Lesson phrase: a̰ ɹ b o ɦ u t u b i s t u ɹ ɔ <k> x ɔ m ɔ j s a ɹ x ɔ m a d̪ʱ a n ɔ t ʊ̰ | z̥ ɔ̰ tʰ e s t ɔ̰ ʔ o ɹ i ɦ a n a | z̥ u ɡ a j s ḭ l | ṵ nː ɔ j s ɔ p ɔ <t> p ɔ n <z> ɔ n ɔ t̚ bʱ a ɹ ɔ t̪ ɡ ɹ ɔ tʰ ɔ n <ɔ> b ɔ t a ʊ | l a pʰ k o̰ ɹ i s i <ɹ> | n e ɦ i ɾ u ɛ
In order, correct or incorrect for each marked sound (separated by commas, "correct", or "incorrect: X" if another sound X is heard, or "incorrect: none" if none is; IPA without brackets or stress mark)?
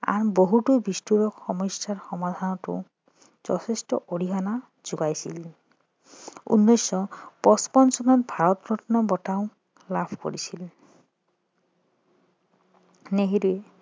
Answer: correct, incorrect: s, incorrect: s, correct, incorrect: l